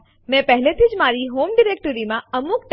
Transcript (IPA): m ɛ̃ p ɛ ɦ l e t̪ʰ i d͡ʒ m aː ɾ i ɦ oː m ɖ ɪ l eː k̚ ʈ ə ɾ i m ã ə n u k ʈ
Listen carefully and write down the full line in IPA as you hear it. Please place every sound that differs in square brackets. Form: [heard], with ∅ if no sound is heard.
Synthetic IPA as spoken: m ɛ̃ p ɛ ɦ l e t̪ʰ i d͡ʒ m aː ɾ i ɦ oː m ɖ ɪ [ɾ] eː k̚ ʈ ə ɾ i m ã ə [m] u k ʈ